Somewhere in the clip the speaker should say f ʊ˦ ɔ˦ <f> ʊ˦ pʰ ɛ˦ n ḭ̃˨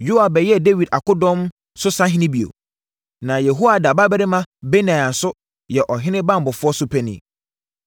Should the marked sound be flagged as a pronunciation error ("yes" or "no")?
yes